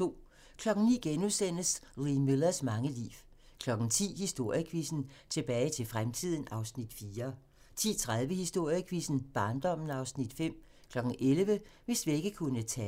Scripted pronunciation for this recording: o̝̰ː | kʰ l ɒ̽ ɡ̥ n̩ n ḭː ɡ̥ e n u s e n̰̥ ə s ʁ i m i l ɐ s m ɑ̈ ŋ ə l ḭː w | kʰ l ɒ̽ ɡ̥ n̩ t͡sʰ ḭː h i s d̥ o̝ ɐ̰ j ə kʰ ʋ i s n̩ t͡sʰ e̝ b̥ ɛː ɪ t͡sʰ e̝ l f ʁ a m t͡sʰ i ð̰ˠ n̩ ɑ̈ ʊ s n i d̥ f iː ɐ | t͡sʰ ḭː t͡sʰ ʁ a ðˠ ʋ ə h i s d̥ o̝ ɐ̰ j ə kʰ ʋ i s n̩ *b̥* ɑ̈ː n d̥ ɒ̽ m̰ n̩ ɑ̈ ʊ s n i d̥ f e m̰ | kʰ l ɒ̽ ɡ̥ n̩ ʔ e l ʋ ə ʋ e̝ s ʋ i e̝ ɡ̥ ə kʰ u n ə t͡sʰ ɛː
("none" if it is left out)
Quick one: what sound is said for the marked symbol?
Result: b̥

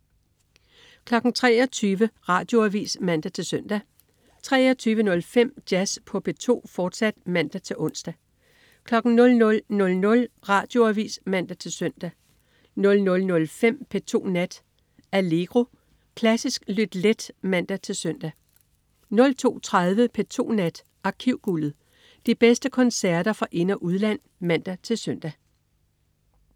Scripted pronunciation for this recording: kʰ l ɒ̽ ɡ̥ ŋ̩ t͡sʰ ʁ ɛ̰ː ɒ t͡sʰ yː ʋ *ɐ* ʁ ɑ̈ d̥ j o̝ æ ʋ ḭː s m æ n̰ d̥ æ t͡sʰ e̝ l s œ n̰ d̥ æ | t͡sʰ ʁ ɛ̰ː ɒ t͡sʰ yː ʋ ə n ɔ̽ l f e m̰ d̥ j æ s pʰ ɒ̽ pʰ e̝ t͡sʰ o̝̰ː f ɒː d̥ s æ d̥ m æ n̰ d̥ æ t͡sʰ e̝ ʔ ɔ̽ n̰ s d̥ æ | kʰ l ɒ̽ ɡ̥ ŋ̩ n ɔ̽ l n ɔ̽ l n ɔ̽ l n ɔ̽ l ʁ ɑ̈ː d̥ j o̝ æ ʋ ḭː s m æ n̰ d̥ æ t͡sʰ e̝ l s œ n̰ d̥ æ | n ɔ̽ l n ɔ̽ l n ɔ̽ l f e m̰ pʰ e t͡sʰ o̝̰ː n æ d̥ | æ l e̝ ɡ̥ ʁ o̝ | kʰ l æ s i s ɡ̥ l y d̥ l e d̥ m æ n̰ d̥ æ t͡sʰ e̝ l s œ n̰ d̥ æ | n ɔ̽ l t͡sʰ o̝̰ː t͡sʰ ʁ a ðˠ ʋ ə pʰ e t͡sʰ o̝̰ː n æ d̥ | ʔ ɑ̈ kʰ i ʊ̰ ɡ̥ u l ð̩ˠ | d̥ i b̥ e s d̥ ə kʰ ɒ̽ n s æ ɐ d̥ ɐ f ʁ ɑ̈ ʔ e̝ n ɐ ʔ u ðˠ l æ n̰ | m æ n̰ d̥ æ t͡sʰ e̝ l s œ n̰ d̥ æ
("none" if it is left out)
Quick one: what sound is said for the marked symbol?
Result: ə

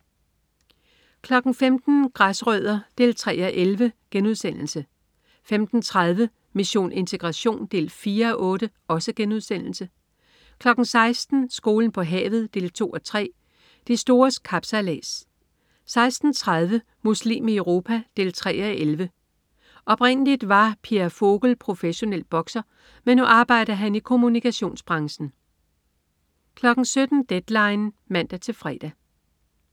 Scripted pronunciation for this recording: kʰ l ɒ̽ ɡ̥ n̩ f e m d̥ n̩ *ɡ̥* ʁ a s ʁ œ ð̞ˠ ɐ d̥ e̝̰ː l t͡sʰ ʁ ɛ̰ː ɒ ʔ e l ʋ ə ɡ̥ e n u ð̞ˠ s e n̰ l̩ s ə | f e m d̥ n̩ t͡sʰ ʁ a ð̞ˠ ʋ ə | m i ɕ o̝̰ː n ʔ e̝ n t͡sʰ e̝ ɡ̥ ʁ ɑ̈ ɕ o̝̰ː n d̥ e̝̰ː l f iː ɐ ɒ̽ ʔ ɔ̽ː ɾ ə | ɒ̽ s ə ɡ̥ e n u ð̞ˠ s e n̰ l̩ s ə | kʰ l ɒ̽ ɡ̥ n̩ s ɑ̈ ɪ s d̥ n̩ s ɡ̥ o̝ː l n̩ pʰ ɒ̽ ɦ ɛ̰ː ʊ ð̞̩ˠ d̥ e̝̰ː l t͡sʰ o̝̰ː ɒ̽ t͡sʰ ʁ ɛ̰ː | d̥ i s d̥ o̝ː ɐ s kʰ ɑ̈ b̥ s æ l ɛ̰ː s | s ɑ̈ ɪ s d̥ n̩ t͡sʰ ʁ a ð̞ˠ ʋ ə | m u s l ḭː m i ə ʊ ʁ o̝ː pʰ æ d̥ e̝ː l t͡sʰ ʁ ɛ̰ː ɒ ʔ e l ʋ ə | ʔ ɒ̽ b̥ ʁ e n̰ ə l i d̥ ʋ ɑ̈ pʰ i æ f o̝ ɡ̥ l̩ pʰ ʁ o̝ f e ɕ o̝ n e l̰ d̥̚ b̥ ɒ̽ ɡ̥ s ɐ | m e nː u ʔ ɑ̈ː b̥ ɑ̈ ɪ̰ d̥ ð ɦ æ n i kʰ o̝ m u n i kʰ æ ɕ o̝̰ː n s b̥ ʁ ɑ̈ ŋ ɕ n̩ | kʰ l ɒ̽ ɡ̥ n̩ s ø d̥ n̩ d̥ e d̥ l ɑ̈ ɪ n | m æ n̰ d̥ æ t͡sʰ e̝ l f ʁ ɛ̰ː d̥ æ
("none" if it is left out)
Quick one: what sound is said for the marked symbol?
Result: ɡ̥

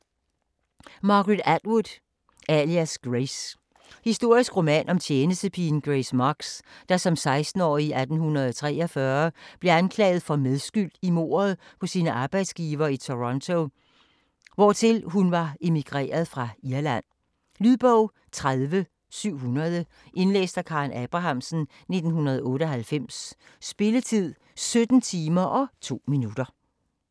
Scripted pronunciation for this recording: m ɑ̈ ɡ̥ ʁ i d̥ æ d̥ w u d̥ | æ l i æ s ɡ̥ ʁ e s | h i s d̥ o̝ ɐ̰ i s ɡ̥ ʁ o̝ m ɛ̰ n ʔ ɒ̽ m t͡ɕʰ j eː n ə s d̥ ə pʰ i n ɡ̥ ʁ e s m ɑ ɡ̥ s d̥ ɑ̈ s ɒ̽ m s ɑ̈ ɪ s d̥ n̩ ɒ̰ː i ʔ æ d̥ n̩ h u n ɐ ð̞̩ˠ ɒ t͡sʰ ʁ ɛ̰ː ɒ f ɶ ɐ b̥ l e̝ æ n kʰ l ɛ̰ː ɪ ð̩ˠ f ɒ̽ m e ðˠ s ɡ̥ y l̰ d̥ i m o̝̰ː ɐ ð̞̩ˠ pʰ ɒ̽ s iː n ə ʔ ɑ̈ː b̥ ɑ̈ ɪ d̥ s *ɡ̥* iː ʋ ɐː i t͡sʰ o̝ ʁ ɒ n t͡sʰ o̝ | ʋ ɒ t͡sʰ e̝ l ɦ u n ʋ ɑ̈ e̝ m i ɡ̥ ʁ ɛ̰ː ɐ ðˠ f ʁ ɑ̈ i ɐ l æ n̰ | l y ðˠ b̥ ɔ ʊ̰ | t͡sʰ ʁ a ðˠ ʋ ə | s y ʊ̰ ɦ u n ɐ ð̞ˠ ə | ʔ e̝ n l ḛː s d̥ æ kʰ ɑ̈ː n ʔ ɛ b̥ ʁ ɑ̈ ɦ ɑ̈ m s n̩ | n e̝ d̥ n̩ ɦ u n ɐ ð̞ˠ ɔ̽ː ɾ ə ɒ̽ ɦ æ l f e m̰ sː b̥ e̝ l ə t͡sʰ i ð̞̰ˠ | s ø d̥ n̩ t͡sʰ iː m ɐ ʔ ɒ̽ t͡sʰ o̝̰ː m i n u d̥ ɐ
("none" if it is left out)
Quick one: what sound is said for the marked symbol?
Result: ɡ̥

